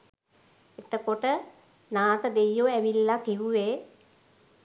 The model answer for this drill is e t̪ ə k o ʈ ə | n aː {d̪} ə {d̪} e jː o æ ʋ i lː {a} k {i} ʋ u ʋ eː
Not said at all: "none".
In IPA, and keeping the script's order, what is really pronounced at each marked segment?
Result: t̪, d̪, a, i

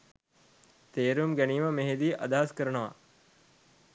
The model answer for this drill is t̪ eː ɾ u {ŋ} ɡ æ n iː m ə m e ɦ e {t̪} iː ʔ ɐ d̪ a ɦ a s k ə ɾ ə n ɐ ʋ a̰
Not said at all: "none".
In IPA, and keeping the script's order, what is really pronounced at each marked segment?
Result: m, d̪

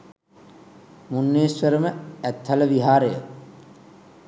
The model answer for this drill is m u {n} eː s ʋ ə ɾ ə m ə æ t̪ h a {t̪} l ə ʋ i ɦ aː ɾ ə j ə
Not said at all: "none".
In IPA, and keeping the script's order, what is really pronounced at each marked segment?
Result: nː, none

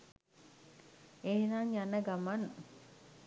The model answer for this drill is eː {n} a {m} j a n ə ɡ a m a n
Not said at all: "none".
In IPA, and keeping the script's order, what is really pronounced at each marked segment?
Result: n, ŋ

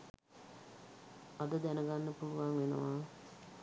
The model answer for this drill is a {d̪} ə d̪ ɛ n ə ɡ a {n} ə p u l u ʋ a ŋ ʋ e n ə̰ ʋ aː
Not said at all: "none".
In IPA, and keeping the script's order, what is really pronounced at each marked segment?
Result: d̪, nː

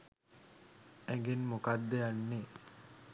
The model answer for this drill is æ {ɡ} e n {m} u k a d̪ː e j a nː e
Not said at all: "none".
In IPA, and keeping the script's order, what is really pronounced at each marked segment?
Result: ɡ, m

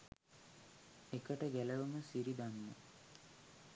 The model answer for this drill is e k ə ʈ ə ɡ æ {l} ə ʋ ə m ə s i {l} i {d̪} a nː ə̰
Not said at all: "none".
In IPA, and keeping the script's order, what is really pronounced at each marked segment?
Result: l, ɾ, d̪

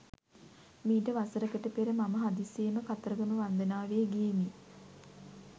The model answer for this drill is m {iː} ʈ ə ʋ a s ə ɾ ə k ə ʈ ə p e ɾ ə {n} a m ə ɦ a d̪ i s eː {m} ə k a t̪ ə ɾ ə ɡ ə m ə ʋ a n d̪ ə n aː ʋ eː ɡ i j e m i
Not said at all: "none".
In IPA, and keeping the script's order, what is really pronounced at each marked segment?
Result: iː, m, m

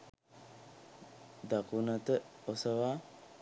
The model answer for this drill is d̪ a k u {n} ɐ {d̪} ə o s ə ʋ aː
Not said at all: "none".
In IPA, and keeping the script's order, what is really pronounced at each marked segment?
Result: n, t̪

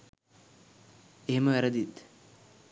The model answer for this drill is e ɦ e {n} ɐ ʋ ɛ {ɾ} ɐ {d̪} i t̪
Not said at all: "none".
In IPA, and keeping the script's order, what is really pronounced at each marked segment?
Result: m, ɾ, d̪

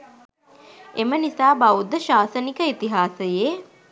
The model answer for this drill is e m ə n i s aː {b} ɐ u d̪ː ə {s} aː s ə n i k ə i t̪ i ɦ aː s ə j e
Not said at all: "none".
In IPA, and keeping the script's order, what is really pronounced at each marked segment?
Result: b, ʃ

